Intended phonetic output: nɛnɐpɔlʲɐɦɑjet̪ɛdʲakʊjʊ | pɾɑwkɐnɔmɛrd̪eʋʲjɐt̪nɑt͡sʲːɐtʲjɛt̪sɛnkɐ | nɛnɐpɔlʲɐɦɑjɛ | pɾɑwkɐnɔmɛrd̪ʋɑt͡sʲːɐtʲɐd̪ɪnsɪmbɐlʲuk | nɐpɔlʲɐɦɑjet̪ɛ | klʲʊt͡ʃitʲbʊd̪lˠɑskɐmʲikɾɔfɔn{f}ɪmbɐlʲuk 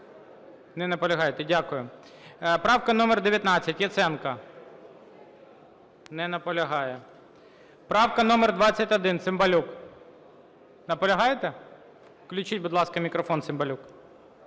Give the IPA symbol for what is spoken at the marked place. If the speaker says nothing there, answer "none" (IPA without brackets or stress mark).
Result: s